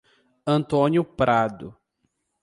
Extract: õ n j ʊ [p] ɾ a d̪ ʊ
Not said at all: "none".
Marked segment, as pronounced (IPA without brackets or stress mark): p